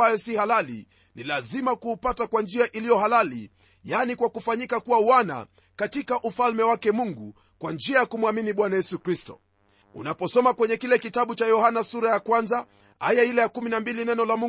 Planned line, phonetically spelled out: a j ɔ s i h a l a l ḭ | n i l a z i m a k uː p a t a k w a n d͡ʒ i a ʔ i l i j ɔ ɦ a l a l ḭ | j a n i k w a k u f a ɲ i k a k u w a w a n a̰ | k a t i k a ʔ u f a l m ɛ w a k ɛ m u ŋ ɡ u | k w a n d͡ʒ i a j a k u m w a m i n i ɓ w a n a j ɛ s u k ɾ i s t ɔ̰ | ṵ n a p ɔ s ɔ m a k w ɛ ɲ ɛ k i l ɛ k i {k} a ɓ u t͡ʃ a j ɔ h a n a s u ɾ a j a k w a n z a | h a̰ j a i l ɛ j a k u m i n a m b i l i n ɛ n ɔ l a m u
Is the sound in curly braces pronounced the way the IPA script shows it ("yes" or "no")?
no